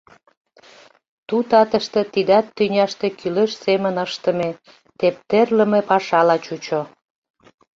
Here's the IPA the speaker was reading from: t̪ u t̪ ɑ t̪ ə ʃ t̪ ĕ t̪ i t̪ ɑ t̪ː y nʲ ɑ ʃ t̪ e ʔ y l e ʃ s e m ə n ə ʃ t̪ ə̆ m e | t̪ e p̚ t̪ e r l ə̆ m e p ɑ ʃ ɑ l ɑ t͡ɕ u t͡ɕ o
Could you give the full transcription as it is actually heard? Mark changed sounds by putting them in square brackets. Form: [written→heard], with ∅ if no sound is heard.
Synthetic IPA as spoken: t̪ u t̪ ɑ t̪ ə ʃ t̪ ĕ t̪ i [t̪→d̪] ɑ t̪ː y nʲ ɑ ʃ t̪ e [ʔ→k] y l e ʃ s e m ə n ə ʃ t̪ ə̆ m e | t̪ e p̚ t̪ e r l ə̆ m e p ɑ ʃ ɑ l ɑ t͡ɕ u t͡ɕ o